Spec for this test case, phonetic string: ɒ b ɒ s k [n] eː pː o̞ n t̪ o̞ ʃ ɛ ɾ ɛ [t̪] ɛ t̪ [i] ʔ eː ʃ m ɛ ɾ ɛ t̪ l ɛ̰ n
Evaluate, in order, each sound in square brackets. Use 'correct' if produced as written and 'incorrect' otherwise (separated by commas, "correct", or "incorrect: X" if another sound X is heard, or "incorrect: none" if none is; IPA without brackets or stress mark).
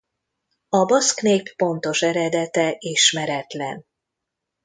correct, incorrect: d̪, incorrect: ɛ